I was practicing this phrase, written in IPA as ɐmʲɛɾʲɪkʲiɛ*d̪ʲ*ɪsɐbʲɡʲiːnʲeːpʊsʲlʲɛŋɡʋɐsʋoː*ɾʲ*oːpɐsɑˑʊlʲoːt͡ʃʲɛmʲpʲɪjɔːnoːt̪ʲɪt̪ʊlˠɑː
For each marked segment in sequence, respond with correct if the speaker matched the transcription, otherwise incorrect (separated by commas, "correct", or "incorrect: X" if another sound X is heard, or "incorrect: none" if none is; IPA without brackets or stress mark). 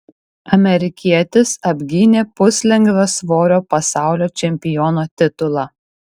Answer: incorrect: t̪ʲ, correct